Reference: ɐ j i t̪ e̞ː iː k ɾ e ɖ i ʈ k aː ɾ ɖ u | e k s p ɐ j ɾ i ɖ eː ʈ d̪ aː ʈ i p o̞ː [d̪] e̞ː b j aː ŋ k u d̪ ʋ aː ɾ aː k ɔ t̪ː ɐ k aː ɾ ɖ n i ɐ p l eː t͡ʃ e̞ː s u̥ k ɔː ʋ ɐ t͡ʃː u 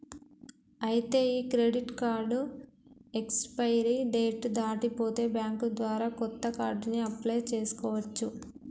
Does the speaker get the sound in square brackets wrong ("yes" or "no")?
yes